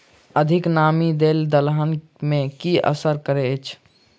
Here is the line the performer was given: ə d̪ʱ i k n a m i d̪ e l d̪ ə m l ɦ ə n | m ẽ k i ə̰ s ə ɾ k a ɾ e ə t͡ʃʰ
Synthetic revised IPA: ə d̪ʱ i k n a m i d̪ e l d̪ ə l ɦ ə n | m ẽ k i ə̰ s ə ɾ k ə ɾ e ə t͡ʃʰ